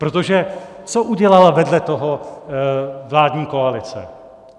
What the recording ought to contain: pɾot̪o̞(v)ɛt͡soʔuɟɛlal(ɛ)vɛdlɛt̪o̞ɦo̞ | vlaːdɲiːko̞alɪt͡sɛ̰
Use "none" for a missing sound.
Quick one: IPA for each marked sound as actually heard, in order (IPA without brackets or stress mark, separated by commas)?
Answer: ʒ, a